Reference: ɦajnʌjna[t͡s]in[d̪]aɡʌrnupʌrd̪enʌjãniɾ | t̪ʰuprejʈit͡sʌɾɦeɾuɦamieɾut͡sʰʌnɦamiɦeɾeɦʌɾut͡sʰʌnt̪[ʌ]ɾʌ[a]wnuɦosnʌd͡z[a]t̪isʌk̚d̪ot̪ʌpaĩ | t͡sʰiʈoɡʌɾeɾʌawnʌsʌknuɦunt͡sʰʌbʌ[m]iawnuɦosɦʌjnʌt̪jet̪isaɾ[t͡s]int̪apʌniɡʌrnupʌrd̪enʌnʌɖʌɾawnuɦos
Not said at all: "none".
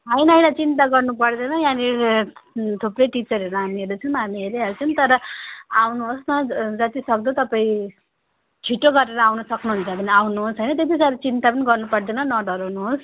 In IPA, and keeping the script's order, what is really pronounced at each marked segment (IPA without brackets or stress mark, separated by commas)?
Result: t͡s, t̪, ʌ, a, ʌ, n, t͡s